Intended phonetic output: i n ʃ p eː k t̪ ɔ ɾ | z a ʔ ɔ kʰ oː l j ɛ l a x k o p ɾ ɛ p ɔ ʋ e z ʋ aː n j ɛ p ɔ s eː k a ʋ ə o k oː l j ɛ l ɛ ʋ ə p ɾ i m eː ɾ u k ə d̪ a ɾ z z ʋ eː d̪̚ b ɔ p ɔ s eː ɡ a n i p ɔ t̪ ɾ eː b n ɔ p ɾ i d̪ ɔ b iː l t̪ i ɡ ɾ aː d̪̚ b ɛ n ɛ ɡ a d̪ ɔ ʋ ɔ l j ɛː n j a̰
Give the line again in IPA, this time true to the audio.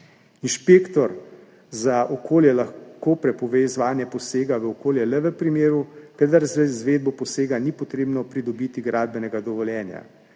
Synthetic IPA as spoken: i n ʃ p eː k t̪ ɔ ɾ | z a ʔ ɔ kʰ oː l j ɛ l a x k o p ɾ ɛ p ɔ ʋ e z ʋ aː n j ɛ p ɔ s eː ɡ a ʋ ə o k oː l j ɛ l ɛ ʋ ə p ɾ i m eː ɾ u k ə d̪ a ɾ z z ʋ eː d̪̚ b ɔ p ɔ s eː ɡ a n i p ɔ t̪ ɾ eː b n ɔ p ɾ i d̪ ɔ b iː t̪ i ɡ ɾ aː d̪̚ b ɛ n ɛ ɡ a d̪ ɔ ʋ ɔ l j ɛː n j a̰